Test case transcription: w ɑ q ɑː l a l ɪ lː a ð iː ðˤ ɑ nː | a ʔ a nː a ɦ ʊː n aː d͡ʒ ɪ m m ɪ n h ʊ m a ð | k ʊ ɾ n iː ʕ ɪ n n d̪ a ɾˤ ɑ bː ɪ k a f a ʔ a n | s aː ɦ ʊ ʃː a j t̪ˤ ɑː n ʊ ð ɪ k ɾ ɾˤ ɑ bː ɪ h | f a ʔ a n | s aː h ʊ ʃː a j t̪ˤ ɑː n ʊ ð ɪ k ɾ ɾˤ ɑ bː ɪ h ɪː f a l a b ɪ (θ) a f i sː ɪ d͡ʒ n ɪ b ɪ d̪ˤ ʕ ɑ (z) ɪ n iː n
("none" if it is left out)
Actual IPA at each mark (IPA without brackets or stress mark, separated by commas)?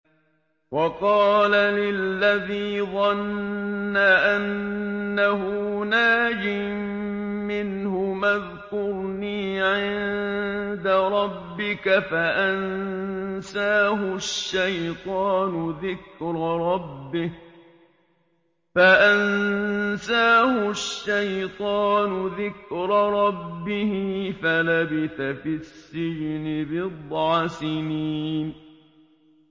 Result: θ, s